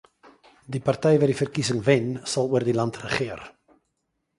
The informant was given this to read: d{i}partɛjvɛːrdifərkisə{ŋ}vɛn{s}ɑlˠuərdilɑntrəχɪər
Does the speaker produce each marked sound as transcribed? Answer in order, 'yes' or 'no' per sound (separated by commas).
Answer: yes, yes, yes